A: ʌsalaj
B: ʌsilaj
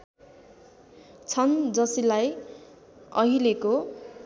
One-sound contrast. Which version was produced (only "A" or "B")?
B